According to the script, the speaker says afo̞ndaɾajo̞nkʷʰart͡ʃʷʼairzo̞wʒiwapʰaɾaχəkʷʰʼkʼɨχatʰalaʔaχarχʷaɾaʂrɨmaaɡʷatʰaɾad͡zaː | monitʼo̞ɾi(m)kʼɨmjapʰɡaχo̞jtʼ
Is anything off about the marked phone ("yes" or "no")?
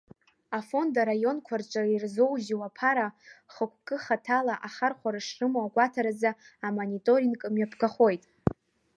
yes